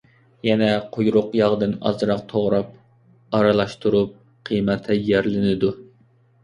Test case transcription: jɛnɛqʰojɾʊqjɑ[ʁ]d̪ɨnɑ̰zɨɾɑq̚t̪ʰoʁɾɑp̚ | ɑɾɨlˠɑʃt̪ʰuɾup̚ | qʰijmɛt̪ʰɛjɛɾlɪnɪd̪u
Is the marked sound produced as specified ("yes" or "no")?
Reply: yes